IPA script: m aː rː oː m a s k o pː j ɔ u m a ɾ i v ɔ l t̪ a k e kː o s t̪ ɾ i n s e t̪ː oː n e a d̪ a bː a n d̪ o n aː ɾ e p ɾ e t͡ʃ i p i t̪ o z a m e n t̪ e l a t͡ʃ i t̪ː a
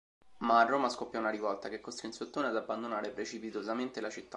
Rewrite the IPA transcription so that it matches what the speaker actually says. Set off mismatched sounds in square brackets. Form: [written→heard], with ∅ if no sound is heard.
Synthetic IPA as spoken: m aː rː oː m a s k o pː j ɔ u [m→n] a ɾ i v ɔ l t̪ a k e kː o s t̪ ɾ i n s e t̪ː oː n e a d̪ a bː a n d̪ o n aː ɾ e p ɾ e t͡ʃ i p i t̪ o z a m e n t̪ e l a t͡ʃ i t̪ː a